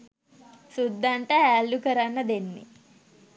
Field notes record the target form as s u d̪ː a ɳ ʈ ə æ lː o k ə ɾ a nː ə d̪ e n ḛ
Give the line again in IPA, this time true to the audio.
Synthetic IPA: s u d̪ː a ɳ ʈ ə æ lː u k ə ɾ a nː ə d̪ e nː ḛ